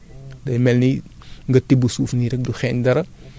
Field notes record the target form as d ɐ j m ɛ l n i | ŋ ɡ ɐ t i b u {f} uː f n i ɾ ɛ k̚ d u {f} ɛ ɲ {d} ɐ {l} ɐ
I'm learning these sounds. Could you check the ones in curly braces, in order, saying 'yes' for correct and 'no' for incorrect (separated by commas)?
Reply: no, no, yes, no